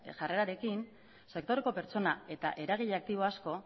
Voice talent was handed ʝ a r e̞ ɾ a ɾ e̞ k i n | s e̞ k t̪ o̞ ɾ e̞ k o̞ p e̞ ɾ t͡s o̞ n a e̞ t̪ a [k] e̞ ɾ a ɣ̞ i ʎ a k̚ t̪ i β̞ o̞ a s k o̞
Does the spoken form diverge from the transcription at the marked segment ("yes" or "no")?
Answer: yes